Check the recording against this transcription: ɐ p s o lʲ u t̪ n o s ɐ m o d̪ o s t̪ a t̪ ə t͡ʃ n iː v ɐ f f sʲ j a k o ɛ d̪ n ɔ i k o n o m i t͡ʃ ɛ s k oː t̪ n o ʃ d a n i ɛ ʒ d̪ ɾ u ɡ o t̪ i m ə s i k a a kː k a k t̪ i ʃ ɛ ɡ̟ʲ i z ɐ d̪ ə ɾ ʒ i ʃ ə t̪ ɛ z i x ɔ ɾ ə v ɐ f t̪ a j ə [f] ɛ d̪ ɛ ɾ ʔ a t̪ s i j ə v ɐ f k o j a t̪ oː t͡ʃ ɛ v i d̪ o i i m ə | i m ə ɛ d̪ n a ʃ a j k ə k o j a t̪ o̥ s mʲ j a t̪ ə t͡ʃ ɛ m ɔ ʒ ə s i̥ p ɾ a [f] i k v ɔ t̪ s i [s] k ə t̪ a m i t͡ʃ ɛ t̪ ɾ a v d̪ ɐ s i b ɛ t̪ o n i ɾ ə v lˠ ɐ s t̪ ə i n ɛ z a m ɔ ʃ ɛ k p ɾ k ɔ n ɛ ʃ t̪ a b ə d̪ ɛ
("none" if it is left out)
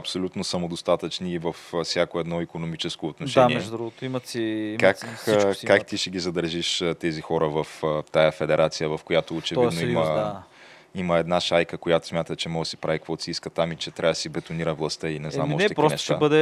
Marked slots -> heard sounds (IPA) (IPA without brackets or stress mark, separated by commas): f, v, s